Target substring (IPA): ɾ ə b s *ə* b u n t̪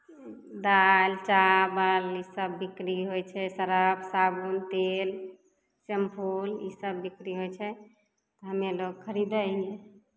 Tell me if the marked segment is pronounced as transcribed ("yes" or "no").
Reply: no